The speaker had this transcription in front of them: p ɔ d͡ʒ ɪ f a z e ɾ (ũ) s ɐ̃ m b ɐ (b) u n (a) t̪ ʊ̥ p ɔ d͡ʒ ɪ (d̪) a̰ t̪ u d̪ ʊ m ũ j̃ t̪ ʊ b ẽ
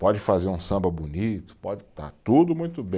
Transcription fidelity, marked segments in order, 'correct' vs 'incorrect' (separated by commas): correct, correct, incorrect, incorrect